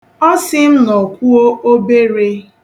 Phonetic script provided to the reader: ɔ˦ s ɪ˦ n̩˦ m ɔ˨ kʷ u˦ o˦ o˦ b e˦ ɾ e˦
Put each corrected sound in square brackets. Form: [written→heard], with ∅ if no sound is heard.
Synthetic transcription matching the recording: ɔ˦ s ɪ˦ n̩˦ [m→n] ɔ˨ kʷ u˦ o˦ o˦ b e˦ ɾ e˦